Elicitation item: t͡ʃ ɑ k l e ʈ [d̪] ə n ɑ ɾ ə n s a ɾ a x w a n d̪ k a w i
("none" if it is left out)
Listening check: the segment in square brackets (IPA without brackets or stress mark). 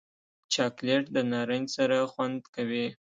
d̪